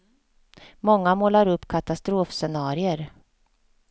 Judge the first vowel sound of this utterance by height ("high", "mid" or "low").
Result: mid